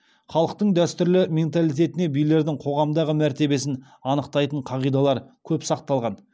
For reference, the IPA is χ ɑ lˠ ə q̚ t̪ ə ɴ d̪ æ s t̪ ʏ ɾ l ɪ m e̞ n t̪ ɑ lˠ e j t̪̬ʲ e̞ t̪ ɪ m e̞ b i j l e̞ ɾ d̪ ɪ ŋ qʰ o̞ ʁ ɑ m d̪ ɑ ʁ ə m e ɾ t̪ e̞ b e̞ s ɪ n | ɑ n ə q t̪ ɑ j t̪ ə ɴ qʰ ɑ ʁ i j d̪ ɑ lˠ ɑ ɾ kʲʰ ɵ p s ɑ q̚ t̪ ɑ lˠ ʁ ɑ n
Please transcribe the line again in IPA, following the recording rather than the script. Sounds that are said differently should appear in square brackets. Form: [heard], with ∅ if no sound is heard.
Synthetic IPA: χ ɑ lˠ ə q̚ t̪ ə ɴ d̪ æ s t̪ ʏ ɾ l ɪ m e̞ n t̪ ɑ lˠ [i] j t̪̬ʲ e̞ t̪ ɪ [n] e̞ b i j l e̞ ɾ d̪ ɪ ŋ qʰ o̞ ʁ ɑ m d̪ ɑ ʁ ə m [æ] ɾ t̪ e̞ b e̞ s ɪ n | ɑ n ə q t̪ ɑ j t̪ ə ɴ qʰ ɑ ʁ i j d̪ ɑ lˠ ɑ ɾ kʲʰ ɵ p s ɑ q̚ t̪ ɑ lˠ ʁ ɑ n